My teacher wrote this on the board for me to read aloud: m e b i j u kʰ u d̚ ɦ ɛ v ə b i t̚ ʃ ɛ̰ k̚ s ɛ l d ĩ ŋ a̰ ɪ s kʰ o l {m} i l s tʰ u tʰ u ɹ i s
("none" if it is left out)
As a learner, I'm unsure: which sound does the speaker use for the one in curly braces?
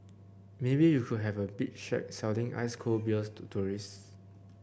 b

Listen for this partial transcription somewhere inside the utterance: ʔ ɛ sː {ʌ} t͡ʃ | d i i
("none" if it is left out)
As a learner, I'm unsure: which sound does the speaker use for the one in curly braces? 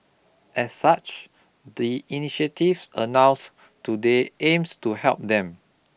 a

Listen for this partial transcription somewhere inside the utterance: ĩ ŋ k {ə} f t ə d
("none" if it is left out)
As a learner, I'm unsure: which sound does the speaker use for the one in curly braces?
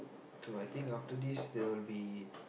a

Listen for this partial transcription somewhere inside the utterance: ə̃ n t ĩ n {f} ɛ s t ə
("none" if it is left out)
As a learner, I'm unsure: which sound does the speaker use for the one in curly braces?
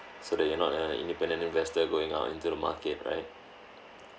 v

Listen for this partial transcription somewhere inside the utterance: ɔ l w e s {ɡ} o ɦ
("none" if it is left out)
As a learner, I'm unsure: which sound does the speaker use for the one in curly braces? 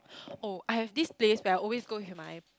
ɡ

